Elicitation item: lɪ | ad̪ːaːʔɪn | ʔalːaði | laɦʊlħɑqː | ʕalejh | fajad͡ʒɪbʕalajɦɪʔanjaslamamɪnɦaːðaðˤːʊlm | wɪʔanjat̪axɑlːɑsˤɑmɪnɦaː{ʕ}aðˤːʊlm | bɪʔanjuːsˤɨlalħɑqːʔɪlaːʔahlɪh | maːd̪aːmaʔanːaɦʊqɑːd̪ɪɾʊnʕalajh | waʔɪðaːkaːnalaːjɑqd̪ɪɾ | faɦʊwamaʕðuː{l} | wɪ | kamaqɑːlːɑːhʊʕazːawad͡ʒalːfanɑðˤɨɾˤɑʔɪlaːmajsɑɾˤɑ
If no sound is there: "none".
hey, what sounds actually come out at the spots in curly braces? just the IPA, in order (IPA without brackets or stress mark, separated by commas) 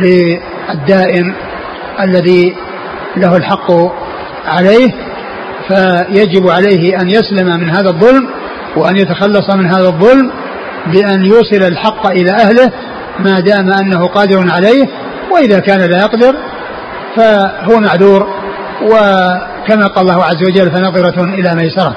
ð, ɾ